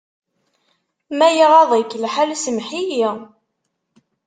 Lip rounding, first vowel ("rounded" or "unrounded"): unrounded